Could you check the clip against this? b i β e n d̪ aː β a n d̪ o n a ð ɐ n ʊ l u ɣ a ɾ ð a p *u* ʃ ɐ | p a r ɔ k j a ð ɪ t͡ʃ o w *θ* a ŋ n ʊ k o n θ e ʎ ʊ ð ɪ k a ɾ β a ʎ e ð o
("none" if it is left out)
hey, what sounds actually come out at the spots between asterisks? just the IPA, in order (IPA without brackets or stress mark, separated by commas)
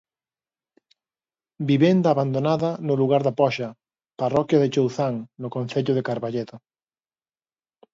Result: ɔ, θ